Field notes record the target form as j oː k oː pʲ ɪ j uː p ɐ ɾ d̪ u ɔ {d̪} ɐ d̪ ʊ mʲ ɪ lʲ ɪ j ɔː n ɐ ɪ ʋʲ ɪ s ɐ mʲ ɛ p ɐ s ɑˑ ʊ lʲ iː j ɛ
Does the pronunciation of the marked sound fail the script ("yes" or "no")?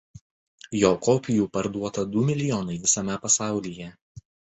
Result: yes